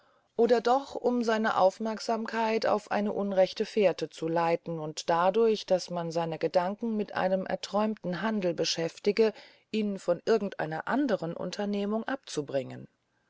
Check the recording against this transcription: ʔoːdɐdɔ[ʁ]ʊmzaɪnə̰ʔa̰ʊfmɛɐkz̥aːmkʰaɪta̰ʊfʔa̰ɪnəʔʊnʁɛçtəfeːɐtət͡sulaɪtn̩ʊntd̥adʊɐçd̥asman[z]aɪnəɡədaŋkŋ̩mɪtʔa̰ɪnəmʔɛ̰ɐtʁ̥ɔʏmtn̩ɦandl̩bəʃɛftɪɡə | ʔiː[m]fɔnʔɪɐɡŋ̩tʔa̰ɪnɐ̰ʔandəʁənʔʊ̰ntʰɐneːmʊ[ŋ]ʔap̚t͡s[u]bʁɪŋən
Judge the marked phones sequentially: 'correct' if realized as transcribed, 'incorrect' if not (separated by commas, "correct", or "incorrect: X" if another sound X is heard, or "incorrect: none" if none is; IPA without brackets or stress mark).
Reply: incorrect: χ, correct, incorrect: n, correct, correct